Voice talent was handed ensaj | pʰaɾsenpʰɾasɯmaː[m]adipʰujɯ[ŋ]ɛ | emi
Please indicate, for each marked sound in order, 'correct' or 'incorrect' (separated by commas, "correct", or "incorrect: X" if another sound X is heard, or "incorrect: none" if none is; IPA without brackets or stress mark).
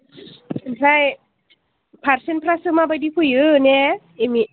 incorrect: b, incorrect: n